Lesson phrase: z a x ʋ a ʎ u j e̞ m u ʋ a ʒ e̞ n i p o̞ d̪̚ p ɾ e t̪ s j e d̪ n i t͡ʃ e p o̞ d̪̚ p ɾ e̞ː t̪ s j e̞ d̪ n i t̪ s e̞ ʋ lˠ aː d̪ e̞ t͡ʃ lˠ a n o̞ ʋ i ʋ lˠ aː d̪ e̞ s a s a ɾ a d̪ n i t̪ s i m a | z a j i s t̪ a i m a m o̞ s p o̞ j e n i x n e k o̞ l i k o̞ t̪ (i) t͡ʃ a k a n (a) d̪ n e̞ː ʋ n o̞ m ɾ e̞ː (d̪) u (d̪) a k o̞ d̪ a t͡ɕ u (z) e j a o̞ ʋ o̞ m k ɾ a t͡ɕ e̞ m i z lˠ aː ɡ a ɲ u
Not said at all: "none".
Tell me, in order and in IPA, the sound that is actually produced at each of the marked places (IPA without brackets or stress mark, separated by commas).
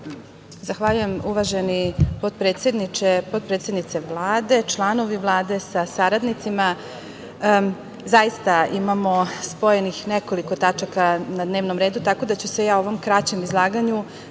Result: a, a, d̪, t̪, s